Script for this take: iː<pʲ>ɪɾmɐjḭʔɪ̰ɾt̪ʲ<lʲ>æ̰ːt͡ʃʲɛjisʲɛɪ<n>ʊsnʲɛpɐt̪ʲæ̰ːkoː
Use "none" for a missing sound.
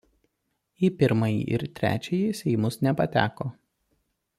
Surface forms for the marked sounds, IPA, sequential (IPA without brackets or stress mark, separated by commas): pʲ, ɾʲ, m